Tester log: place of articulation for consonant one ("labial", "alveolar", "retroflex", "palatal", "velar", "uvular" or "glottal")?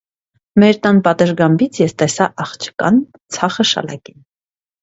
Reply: labial